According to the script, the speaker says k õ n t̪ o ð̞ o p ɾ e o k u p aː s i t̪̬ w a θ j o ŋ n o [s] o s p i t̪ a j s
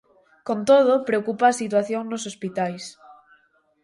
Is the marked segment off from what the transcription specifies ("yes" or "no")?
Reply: no